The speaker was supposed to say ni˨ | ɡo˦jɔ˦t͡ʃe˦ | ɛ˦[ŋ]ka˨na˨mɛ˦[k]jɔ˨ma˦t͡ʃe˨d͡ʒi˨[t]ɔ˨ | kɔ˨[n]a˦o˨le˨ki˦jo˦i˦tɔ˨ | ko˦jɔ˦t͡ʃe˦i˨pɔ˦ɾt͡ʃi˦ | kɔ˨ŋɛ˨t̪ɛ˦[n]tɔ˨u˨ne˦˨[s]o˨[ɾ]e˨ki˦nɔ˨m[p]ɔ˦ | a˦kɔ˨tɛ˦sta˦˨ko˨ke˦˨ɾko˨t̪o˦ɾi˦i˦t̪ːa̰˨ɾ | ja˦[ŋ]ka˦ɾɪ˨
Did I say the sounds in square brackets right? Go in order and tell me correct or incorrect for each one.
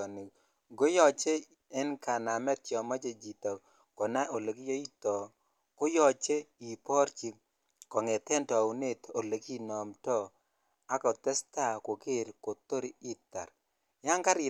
incorrect: n, incorrect: t, correct, correct, correct, incorrect: t, incorrect: l, incorrect: t, correct

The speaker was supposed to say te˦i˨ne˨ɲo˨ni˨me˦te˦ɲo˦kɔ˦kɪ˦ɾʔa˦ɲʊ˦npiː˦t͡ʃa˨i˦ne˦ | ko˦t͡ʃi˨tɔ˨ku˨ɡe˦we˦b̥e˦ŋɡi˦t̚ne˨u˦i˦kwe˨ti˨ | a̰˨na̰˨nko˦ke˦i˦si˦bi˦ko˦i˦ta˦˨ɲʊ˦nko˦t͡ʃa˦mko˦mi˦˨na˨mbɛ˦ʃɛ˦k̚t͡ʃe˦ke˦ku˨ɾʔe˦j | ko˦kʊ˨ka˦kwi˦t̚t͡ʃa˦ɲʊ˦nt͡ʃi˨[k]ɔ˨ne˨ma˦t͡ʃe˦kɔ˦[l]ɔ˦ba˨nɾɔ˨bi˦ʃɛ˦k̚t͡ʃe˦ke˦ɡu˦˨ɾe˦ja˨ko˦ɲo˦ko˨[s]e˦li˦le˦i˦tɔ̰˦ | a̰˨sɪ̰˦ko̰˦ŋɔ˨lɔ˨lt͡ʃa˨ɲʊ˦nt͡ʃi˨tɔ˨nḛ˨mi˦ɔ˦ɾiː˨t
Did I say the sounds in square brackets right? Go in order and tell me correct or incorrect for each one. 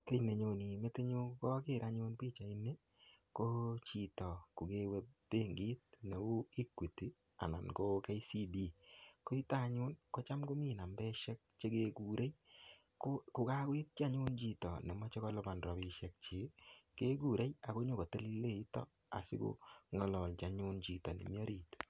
incorrect: t, correct, incorrect: t

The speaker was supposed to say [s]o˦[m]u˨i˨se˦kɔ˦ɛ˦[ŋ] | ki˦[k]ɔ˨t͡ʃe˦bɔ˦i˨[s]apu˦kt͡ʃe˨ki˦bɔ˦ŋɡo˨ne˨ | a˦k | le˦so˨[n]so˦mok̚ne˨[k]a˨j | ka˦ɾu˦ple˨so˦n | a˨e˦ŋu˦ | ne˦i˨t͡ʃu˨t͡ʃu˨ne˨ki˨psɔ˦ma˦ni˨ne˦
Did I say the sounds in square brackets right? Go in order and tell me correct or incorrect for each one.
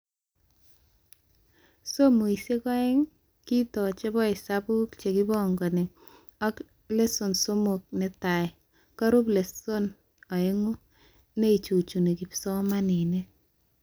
correct, correct, correct, incorrect: t, correct, correct, incorrect: t

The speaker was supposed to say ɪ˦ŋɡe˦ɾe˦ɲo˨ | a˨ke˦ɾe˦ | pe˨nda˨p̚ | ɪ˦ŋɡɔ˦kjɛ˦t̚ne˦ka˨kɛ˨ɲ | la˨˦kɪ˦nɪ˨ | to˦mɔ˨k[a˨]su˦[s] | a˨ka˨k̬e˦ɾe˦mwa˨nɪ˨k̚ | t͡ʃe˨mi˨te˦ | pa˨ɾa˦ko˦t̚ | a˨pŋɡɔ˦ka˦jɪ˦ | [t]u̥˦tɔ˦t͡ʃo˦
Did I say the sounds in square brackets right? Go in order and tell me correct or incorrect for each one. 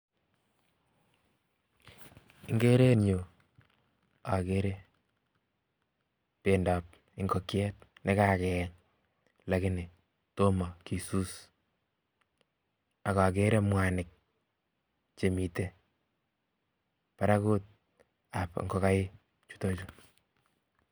incorrect: i˨, correct, incorrect: t͡ʃ

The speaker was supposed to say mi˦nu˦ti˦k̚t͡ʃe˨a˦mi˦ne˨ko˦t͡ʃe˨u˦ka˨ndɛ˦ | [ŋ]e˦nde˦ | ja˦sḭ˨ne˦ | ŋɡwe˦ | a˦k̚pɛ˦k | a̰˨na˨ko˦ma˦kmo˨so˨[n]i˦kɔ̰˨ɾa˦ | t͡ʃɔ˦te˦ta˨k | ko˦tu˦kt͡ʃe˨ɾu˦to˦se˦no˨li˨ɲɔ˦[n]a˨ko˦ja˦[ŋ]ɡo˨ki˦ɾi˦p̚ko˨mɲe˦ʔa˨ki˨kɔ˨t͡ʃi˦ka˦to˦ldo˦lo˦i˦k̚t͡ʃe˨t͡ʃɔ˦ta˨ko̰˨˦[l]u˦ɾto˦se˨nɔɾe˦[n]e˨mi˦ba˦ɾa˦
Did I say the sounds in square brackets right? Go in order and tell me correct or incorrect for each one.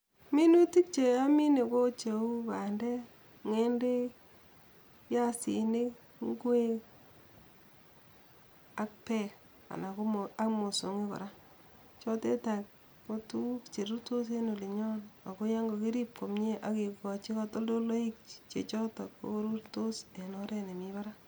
correct, incorrect: ŋ, correct, correct, incorrect: ɾ, correct

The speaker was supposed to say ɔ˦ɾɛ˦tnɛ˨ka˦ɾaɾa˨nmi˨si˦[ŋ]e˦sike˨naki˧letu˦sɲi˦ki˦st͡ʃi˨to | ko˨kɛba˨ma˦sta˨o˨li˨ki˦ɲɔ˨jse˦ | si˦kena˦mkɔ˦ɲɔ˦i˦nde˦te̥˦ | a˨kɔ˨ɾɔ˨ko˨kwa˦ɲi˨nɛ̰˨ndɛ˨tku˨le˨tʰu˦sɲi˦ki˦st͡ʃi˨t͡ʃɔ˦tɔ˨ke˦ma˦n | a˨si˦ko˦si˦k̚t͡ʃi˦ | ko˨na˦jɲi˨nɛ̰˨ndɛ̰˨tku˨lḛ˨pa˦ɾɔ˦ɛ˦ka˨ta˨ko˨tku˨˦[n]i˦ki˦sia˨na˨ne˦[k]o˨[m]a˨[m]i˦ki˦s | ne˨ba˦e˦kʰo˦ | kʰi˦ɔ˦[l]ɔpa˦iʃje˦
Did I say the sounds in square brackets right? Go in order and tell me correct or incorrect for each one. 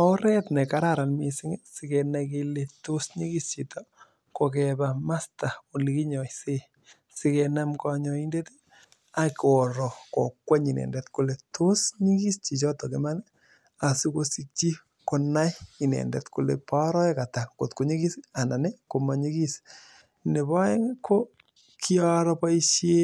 correct, incorrect: ɲ, correct, correct, incorrect: ɲ, incorrect: ɾ

